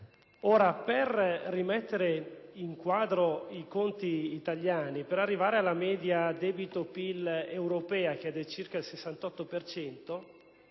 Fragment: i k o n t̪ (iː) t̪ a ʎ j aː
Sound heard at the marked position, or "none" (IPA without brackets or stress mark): iː